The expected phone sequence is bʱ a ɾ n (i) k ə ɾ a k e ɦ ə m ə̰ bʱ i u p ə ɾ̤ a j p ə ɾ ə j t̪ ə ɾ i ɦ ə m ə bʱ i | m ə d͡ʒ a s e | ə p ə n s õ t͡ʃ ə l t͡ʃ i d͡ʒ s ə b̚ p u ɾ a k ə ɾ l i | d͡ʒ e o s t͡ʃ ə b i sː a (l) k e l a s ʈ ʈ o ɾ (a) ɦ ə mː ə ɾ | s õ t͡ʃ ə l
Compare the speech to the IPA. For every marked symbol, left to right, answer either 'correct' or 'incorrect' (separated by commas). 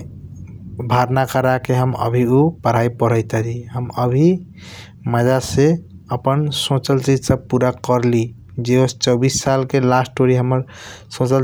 incorrect, correct, incorrect